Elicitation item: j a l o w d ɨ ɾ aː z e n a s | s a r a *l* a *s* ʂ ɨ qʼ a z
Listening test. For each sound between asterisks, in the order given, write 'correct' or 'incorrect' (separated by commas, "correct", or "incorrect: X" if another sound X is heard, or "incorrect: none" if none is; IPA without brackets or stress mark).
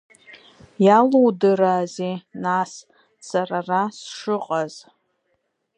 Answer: incorrect: r, correct